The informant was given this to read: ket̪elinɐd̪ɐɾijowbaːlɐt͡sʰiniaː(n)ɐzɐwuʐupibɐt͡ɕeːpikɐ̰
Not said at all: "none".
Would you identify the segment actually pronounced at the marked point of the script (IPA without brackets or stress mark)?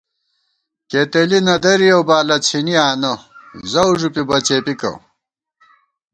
n